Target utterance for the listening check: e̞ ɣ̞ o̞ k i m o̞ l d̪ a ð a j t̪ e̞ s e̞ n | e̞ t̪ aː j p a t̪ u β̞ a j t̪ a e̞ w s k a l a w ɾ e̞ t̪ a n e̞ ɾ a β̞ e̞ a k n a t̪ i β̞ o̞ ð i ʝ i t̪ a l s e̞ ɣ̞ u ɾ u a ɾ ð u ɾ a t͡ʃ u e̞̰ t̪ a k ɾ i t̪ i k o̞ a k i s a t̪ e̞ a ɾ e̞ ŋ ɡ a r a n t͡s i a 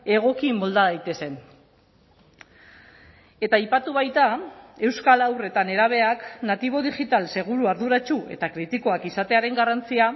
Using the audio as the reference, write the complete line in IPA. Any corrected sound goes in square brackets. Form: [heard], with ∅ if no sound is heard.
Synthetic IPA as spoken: e̞ ɣ̞ o̞ k i m o̞ l d̪ a ð a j t̪ e̞ s e̞ n | e̞ t̪ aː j p a t̪ u β̞ a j t̪ a e̞ w s k a l a w [r] e̞ t̪ a n e̞ ɾ a β̞ e̞ a k n a t̪ i β̞ o̞ ð i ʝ i t̪ a l s e̞ ɣ̞ u ɾ u a ɾ ð u ɾ a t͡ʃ u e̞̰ t̪ a k ɾ i t̪ i k o̞ a k i s a t̪ e̞ a ɾ e̞ ŋ ɡ a r a n t͡s i a